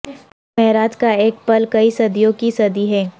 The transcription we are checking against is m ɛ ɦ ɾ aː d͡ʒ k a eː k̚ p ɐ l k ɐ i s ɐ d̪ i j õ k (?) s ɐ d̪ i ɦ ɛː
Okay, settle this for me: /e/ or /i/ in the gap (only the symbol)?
i